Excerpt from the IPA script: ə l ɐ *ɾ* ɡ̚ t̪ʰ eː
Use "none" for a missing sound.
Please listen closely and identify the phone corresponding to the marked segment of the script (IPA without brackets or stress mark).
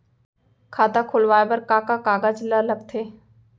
none